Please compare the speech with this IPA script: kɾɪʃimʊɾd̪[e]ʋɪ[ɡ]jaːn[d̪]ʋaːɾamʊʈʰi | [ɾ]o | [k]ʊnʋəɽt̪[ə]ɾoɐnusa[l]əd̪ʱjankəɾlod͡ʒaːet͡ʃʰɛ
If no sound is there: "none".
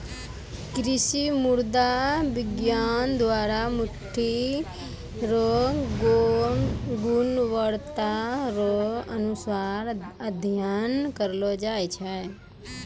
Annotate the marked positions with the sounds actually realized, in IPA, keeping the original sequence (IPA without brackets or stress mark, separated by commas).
a, ɡ, d̪, ɾ, ɡ, a, ɾ